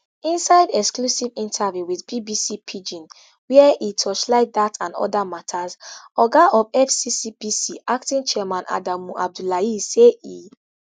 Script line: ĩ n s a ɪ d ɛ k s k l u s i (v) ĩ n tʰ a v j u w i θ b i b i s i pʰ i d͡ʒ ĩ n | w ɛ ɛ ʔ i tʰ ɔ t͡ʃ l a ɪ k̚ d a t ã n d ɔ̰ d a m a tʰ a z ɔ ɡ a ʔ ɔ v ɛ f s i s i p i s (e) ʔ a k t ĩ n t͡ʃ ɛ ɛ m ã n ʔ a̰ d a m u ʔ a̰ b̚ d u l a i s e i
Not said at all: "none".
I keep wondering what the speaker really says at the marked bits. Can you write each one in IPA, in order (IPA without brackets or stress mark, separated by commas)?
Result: v, i